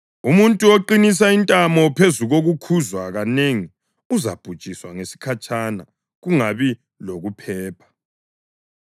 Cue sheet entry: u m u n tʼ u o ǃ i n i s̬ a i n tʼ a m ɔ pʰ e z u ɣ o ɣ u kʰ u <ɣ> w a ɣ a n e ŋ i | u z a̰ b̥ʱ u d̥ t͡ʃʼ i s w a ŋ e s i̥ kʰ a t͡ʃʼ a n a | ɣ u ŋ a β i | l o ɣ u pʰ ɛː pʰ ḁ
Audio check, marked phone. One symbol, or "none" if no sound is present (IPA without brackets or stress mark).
z